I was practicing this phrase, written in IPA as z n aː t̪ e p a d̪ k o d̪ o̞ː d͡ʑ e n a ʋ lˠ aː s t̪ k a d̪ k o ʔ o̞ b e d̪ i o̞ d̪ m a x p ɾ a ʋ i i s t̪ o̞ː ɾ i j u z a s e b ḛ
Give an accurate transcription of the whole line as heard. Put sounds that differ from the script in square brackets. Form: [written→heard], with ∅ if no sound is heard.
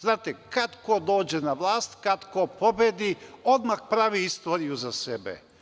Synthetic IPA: z n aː t̪ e [p→k] a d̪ k o d̪ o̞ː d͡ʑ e n a ʋ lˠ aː s t̪ k a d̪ k o [ʔ→p] o̞ b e d̪ i o̞ d̪ m a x p ɾ a ʋ i i s t̪ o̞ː ɾ i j u z a s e b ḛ